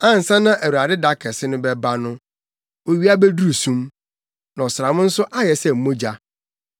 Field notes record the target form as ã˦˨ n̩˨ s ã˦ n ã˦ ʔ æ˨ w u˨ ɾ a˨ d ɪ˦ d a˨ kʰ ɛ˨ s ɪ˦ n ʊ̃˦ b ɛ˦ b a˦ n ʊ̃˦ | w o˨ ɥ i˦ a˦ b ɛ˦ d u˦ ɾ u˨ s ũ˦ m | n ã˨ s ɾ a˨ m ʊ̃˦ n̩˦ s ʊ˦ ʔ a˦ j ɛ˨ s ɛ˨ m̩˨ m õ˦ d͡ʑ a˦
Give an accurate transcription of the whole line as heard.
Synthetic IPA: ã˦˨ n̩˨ s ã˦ n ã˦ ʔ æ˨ w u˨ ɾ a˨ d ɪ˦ d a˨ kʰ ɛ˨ s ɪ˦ n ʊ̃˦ b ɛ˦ b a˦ n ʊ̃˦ | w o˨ ɥ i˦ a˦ b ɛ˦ d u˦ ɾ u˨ s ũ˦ m | n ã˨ s ɾ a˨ m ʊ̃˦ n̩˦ s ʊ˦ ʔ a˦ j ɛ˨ s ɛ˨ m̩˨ m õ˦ d͡ʑ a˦